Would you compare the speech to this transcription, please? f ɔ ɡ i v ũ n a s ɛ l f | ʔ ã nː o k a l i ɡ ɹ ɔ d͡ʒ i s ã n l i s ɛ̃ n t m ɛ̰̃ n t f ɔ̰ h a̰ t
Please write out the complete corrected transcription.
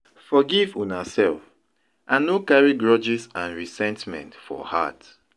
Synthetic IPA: f ɔ ɡ i v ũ n a s ɛ l f | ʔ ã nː o k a ɹ i ɡ ɹ ɔ d͡ʒ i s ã n ɹ i s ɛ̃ n t m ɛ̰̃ n t f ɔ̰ h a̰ t